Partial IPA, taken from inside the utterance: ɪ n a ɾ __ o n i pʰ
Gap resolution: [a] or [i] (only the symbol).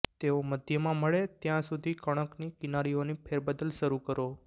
i